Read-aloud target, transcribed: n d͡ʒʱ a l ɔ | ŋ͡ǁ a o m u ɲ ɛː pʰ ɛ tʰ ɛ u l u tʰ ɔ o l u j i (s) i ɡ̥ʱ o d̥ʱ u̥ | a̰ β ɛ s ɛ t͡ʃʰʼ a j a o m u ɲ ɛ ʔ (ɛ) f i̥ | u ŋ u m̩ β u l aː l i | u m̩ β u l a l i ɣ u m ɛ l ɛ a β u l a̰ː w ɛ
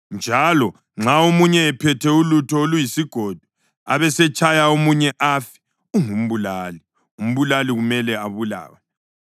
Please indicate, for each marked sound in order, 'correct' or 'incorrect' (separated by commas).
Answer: correct, incorrect